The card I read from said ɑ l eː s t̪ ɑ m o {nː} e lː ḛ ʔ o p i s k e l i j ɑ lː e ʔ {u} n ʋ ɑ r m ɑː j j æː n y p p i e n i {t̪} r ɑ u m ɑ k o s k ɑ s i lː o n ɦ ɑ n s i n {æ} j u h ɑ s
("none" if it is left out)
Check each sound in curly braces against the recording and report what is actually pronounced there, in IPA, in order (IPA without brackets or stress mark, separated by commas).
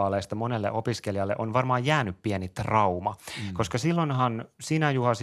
n, o, t̪, æ